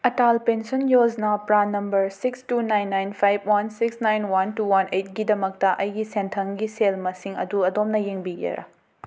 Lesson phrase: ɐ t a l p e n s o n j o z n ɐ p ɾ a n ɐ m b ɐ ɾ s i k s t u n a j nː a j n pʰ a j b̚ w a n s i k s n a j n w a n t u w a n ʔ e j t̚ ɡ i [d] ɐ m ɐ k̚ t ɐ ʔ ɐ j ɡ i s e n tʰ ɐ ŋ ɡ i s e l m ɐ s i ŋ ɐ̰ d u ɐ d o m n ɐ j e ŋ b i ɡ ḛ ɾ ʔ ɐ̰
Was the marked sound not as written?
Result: no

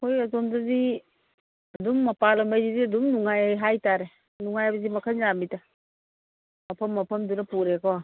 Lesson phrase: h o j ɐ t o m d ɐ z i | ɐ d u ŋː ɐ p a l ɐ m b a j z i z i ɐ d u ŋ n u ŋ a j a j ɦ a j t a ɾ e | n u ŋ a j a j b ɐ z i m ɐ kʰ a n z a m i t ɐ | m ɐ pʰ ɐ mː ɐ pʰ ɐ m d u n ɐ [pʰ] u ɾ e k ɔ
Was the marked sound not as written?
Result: yes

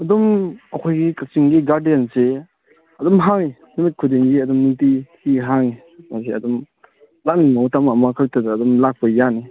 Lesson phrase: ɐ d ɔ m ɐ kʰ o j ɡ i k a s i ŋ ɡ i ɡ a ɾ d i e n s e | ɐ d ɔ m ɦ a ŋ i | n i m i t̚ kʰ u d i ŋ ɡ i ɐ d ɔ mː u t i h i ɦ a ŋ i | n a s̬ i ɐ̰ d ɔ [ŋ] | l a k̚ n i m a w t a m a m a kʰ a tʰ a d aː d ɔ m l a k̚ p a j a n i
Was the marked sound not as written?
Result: yes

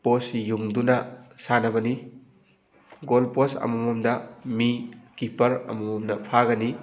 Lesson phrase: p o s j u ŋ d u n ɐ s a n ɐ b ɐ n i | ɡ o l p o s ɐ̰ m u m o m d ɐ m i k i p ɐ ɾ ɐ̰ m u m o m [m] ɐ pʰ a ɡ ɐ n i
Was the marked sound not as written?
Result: yes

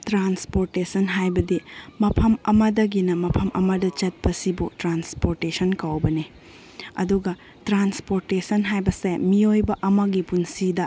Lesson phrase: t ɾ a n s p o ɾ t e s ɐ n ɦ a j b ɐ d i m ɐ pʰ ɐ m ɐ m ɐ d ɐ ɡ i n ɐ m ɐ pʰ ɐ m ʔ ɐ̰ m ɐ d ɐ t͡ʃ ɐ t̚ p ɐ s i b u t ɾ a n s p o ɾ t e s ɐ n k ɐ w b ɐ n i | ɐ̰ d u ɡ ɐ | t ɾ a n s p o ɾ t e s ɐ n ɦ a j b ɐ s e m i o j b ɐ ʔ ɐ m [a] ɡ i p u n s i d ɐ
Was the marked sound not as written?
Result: yes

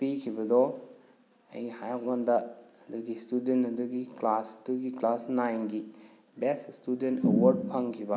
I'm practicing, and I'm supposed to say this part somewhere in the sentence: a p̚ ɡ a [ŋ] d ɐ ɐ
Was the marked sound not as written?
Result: yes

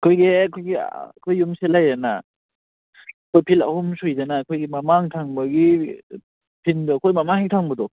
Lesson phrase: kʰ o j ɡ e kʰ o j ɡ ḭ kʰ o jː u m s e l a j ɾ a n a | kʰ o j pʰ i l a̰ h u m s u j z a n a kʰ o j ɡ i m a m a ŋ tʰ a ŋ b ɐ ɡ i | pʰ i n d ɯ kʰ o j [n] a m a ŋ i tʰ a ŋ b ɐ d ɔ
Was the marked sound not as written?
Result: yes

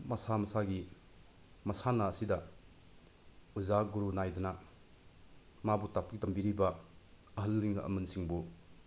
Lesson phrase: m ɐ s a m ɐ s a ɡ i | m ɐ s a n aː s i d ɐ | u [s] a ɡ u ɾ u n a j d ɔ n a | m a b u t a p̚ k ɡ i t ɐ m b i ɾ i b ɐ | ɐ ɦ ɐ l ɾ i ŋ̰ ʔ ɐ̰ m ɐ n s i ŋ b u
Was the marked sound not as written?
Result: yes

